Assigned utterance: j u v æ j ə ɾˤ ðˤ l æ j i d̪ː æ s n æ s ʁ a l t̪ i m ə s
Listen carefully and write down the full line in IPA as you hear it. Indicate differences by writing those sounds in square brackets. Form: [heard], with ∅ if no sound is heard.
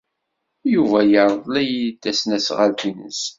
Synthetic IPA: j u v æ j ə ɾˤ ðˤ l æ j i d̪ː æ s n æ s ʁ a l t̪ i [n] ə s